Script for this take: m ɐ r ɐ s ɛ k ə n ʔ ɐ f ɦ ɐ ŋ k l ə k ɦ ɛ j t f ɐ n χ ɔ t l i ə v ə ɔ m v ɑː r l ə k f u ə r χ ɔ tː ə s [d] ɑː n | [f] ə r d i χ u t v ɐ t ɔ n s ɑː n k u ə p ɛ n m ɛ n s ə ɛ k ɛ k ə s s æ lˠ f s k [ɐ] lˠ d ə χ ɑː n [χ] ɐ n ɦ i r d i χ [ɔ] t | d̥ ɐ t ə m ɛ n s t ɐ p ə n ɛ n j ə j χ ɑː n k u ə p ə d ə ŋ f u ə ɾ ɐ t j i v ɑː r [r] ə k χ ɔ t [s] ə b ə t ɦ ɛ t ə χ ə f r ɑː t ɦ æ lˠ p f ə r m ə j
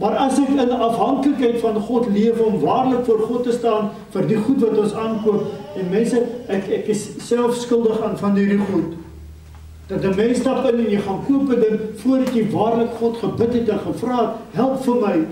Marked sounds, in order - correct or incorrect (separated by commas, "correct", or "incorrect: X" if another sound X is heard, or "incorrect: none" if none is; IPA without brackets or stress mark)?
incorrect: t, correct, incorrect: ə, incorrect: f, incorrect: u, incorrect: l, incorrect: χ